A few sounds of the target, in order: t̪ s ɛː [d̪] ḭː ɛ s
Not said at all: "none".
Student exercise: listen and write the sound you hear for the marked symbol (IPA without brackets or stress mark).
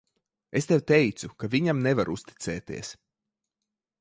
t̪